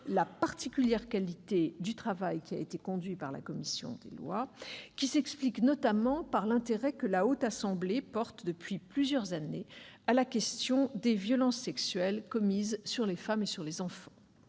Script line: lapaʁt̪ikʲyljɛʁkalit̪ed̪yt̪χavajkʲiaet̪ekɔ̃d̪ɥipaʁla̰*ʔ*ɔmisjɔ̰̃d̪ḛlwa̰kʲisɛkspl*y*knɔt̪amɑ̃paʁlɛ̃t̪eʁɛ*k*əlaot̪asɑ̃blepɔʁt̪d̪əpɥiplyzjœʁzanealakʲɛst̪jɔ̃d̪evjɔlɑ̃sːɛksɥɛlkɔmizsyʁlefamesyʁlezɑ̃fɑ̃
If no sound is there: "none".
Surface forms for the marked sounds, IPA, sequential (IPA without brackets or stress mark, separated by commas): k, i, k